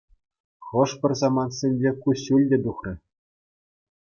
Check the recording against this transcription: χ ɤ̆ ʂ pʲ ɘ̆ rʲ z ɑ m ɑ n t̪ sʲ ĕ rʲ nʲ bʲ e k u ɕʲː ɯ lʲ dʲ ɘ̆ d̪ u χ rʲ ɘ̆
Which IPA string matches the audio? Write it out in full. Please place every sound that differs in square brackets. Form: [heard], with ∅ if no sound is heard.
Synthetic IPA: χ ɤ̆ ʂ pʲ ɘ̆ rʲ z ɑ m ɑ n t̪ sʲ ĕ [∅] nʲ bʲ e k u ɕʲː [u] lʲ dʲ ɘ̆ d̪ u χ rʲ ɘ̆